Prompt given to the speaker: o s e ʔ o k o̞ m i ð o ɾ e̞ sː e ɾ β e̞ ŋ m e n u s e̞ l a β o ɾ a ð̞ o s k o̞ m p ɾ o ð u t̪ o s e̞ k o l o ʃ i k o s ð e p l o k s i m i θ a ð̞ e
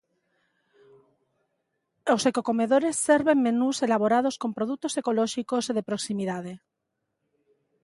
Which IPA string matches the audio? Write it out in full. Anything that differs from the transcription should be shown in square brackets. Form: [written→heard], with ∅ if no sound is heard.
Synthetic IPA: o s e [ʔ→k] o k o̞ m [i→e] ð o ɾ e̞ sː e ɾ β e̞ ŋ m e n u s e̞ l a β o ɾ a ð̞ o s k o̞ m p ɾ o ð u t̪ o s e̞ k o l o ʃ i k o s ð e p [l→ɾ] o k s i m i [θ→ð] a ð̞ e